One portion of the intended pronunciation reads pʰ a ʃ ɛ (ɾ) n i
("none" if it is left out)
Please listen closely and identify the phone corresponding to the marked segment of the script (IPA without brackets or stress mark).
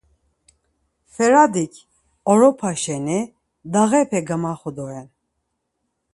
none